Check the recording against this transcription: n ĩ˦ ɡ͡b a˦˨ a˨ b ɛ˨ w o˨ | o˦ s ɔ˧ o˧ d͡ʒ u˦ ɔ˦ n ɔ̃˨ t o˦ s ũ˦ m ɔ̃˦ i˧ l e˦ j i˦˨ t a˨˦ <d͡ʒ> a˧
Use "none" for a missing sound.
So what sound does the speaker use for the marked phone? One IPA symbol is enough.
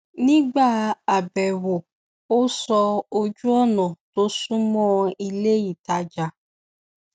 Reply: d͡ʒ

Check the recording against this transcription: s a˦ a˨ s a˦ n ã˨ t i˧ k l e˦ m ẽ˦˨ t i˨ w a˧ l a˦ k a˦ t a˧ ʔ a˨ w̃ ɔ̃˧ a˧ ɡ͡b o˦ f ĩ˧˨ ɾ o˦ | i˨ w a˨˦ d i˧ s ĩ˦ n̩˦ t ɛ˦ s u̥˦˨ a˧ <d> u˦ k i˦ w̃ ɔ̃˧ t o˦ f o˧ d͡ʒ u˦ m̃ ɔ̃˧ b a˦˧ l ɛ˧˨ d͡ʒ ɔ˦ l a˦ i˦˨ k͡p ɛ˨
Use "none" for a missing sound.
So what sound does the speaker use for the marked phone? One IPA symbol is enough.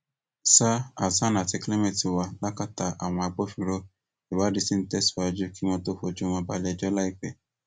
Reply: d͡ʒ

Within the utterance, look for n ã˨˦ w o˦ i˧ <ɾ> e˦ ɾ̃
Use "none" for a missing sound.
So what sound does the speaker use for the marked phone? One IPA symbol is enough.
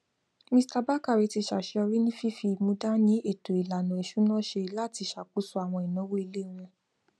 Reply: l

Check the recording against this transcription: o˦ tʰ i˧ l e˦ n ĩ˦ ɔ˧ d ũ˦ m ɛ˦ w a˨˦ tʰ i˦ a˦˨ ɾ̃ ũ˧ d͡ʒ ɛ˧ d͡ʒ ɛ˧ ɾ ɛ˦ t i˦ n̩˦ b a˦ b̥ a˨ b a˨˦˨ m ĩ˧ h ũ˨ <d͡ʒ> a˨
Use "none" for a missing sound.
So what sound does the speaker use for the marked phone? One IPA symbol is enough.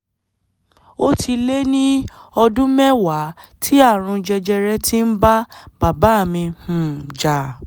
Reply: d͡ʒ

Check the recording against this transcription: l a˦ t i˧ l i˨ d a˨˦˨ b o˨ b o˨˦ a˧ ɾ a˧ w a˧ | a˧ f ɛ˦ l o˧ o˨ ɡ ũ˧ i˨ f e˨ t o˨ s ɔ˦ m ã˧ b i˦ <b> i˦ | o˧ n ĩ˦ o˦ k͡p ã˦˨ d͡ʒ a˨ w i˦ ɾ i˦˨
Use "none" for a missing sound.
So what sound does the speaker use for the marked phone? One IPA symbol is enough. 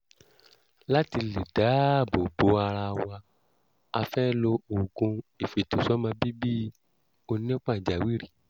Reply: b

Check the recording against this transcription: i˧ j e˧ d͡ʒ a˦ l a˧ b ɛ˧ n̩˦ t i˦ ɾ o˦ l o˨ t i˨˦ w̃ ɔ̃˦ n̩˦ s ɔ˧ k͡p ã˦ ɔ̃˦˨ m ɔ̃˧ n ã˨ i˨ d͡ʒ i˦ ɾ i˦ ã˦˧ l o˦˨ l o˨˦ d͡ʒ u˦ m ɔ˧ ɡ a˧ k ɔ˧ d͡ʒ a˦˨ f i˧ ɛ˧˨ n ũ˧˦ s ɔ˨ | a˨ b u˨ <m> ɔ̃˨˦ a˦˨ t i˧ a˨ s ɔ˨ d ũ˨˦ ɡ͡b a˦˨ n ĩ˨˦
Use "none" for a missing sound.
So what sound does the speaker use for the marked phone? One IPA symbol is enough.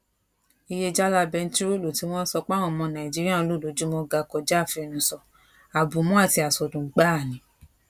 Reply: m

